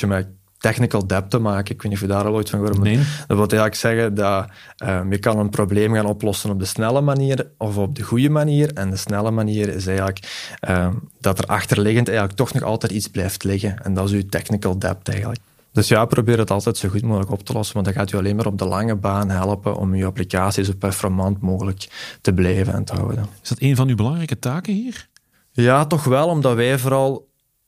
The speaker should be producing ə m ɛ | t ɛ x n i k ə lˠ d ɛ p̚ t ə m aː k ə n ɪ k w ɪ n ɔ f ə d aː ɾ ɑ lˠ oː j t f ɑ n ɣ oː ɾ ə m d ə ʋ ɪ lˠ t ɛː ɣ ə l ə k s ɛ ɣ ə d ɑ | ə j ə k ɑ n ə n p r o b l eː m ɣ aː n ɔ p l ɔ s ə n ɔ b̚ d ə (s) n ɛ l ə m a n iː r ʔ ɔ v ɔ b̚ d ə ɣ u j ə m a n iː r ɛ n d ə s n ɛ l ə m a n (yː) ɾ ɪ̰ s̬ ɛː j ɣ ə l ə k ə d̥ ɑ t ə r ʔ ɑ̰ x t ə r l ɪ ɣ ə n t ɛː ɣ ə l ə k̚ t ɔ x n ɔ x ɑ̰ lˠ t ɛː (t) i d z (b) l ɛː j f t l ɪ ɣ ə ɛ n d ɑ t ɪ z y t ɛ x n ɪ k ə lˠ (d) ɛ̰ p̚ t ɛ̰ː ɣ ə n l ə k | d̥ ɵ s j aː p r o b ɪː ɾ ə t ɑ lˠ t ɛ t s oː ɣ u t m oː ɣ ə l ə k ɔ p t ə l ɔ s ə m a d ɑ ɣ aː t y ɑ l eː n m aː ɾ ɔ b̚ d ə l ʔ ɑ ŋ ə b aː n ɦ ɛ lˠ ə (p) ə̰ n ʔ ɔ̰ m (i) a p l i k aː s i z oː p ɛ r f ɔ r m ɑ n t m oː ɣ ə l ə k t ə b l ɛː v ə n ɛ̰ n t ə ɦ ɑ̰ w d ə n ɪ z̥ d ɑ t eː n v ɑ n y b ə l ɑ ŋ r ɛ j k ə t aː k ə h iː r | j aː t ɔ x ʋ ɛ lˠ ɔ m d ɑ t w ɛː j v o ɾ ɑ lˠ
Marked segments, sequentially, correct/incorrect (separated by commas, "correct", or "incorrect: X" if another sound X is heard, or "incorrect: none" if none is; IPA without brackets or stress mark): correct, incorrect: iː, correct, correct, correct, correct, incorrect: y